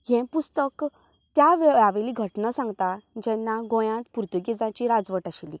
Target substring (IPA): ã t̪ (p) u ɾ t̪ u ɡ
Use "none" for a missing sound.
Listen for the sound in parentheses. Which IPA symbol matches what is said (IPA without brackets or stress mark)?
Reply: p